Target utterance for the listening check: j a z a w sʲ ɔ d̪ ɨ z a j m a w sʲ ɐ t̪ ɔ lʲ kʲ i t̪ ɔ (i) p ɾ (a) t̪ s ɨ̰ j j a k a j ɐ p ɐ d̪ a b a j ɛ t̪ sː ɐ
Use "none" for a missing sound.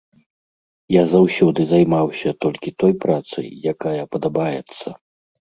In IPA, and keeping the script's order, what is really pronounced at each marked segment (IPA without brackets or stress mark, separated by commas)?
j, a